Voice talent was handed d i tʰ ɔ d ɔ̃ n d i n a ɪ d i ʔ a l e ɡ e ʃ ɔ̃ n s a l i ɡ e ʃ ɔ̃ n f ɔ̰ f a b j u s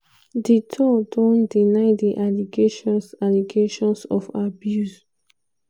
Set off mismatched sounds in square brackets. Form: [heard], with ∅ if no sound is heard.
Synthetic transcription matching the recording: d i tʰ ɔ d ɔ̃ n d i n a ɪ d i ʔ a l [i] ɡ e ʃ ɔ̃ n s a l i ɡ e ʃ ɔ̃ n [s] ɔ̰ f a b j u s

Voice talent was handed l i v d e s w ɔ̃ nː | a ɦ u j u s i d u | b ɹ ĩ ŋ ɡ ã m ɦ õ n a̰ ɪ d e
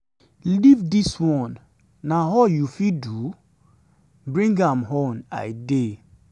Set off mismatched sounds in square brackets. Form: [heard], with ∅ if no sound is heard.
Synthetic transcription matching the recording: l i v d [i] s w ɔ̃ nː | a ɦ [ɔ] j u [f] i d u | b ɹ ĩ ŋ ɡ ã m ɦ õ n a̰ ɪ d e

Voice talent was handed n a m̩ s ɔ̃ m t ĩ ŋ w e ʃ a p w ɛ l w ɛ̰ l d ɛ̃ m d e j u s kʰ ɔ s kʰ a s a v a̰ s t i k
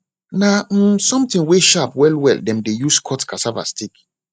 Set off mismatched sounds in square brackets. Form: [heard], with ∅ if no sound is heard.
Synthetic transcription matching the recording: n a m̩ s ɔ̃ m t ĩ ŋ w e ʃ a p w ɛ l w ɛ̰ l d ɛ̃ m d e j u s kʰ ɔ [t] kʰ a s a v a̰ s t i k

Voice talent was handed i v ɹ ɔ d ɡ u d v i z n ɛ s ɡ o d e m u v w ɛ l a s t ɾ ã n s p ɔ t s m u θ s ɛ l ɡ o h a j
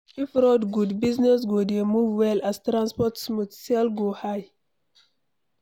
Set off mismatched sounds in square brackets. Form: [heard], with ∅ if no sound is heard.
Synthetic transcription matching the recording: i [f] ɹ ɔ d ɡ u d [b] i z n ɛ s ɡ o d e m u v w ɛ l a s t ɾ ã n s p ɔ t s m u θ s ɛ l ɡ o h a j

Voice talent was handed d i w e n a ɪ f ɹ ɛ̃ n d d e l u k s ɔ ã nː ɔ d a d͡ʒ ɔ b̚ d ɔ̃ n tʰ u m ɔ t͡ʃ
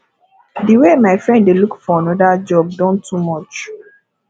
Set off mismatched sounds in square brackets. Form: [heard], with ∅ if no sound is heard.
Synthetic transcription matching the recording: d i w e [m] a ɪ f ɹ ɛ̃ n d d e l u k [f] ɔ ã [n] ɔ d a d͡ʒ ɔ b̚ d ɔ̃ n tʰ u m ɔ t͡ʃ

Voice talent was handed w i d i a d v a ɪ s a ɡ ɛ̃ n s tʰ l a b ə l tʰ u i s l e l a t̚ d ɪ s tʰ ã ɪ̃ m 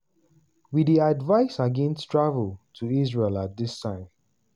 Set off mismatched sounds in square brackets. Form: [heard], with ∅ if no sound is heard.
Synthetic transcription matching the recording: w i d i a d v a ɪ s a ɡ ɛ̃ n s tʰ [ɹ] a [v] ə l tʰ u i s [ɹ] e l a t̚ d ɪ s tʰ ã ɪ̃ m

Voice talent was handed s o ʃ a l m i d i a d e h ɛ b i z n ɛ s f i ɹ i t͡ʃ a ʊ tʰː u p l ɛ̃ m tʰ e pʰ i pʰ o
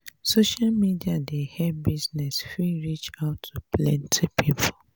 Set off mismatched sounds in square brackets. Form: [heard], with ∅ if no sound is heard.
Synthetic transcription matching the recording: s o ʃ a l m i d i a d e h ɛ b i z n ɛ s f i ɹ i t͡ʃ a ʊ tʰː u p l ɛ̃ [n] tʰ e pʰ i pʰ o

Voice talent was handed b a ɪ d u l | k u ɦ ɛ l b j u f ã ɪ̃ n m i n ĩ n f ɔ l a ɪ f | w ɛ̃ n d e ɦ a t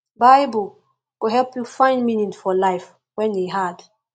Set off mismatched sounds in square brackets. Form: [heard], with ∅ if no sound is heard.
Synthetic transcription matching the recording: b a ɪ [b] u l | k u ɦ ɛ l [p] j u f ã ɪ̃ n m i n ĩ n f ɔ l a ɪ f | w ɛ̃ n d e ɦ a [d]

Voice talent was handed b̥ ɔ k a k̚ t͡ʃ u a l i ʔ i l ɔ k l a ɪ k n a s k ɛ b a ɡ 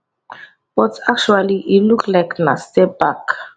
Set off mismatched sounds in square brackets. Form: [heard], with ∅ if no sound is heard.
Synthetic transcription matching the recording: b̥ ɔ [t] a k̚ t͡ʃ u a l i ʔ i l [u] k l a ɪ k n a s [t] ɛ b a [k]

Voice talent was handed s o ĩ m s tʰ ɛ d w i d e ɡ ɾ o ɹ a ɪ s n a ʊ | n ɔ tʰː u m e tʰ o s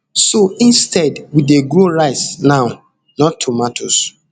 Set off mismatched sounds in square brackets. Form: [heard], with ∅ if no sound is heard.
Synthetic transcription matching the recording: s o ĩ [n] s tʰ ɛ d w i d e ɡ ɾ o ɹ a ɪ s n a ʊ | n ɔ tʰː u m [a] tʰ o s

